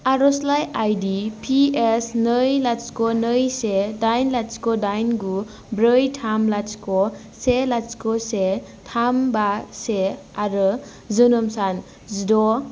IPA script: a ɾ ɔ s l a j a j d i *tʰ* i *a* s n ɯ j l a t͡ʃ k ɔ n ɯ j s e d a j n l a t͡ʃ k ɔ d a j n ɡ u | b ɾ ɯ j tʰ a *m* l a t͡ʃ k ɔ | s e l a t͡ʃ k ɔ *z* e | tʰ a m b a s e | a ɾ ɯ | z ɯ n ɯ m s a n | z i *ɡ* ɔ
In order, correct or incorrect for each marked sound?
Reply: incorrect, incorrect, correct, incorrect, incorrect

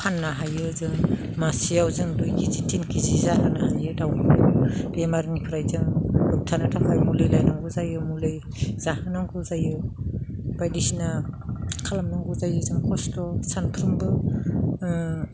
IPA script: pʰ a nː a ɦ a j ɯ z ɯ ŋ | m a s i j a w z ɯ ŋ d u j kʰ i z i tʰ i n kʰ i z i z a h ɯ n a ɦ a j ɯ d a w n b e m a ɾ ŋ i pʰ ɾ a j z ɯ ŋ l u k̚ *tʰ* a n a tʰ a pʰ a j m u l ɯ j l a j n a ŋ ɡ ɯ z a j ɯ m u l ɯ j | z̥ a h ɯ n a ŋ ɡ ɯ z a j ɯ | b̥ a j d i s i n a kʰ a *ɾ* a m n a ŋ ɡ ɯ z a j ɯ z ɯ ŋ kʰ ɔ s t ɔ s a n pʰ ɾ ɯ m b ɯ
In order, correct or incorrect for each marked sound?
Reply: correct, incorrect

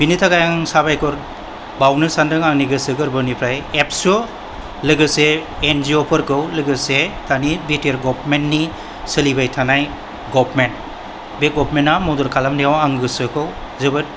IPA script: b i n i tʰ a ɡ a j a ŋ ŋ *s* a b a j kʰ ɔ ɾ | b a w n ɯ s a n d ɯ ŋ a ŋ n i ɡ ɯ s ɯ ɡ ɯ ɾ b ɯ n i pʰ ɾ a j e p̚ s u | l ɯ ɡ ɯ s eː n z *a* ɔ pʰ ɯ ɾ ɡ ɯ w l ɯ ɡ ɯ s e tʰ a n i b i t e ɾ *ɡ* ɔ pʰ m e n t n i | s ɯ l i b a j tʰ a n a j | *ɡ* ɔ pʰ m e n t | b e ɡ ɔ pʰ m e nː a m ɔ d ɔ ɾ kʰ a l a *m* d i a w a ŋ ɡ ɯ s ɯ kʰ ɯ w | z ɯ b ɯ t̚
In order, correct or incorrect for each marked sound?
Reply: correct, incorrect, correct, correct, correct

